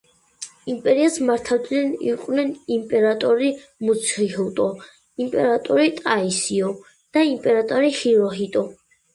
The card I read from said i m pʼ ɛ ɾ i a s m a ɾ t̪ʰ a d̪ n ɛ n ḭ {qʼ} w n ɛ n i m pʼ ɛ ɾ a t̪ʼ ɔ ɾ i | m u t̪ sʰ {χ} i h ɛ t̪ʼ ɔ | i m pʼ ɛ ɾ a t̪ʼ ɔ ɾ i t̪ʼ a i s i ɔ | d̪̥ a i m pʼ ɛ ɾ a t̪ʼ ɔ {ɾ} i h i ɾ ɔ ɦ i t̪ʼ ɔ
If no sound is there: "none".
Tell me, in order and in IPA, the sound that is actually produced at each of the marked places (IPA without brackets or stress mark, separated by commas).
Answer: qʼ, χ, ɾ